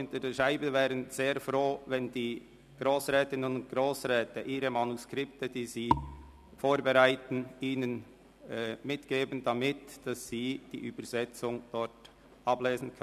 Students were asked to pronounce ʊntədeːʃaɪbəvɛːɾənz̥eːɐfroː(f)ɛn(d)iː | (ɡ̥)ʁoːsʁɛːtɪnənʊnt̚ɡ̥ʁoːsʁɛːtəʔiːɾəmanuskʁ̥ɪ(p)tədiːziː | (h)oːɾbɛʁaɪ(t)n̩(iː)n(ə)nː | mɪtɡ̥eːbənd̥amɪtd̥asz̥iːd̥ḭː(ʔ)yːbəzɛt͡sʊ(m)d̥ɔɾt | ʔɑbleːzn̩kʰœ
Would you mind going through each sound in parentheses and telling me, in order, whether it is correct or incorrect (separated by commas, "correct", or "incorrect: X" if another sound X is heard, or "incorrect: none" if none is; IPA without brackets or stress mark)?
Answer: incorrect: v, correct, correct, correct, incorrect: f, correct, correct, correct, correct, incorrect: ŋ